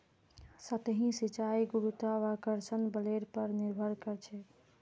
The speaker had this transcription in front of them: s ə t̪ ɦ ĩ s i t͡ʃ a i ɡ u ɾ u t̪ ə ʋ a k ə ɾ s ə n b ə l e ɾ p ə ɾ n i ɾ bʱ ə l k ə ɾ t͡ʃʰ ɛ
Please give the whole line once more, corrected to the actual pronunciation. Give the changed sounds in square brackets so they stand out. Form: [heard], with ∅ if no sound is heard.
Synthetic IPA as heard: s ə t̪ ɦ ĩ s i t͡ʃ a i ɡ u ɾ u t̪ [a] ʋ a k ə ɾ s ə n b ə l e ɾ p ə ɾ n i ɾ bʱ ə [ɾ] k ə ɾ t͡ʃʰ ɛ